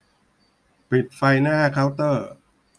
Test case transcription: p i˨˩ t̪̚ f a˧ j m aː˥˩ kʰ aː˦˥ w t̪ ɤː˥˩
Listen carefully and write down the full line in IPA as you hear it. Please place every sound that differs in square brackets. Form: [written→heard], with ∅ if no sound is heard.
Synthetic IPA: p i˨˩ t̪̚ f a˧ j [m→n] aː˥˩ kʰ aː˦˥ w t̪ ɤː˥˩